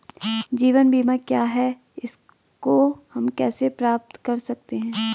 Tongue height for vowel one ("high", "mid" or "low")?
high